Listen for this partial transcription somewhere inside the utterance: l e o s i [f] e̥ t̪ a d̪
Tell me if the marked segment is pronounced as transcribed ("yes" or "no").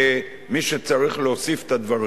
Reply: yes